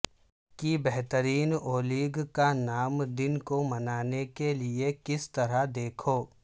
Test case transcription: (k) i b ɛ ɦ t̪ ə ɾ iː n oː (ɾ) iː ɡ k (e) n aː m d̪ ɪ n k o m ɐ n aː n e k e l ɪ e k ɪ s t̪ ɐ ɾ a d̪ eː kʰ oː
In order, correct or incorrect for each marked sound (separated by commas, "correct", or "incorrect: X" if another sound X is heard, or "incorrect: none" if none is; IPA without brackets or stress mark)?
correct, incorrect: l, incorrect: a